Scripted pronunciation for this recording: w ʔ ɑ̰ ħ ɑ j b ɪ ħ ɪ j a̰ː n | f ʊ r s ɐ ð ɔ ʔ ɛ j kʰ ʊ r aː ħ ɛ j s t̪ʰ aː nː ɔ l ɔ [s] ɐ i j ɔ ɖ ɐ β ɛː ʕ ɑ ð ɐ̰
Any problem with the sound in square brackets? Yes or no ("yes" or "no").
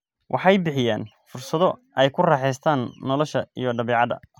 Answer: yes